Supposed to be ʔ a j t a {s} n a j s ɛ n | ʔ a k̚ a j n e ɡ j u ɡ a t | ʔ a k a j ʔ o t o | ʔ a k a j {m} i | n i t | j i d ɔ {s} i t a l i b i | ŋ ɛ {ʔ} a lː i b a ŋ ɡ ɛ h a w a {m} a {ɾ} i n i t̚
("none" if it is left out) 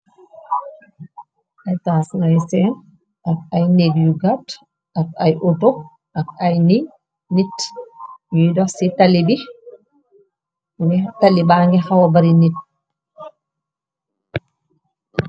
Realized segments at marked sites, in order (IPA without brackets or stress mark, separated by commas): s, n, s, t, b, ɾ